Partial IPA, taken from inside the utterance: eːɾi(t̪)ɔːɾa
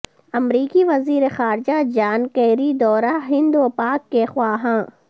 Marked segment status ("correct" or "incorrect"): incorrect